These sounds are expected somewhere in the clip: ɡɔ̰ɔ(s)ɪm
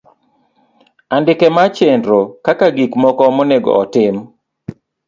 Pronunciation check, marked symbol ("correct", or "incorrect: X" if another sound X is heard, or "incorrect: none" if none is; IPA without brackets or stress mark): incorrect: t